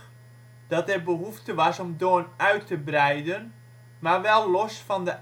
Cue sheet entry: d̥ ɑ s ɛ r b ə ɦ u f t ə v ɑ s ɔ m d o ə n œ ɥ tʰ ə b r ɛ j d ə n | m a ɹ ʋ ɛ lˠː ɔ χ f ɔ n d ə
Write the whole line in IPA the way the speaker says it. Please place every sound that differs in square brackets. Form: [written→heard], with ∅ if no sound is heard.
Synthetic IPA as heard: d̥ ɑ [s→t] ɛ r b ə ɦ u f t ə [v→ʋ] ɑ s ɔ m d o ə n œ ɥ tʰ ə b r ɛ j d ə n | m a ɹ ʋ ɛ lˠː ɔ [χ→s] f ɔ n d ə